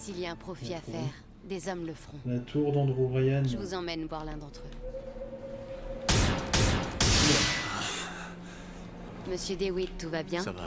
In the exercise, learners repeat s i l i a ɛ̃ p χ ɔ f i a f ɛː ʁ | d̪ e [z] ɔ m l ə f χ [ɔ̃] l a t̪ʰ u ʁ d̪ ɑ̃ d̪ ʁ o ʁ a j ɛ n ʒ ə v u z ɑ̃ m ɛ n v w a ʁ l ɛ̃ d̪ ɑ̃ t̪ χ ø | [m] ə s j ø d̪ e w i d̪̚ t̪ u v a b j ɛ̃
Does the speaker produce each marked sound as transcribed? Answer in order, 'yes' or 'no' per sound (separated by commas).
yes, yes, yes